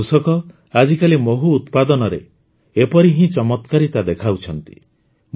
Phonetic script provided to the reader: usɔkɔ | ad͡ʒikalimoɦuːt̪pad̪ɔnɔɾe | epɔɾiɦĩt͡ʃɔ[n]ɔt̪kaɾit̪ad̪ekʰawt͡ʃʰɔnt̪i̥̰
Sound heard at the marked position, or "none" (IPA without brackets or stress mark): m